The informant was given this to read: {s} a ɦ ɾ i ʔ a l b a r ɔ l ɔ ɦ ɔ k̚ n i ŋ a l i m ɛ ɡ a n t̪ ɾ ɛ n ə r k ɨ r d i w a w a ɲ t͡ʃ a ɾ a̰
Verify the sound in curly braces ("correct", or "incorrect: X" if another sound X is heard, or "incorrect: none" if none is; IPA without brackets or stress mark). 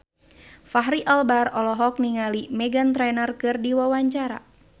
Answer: incorrect: f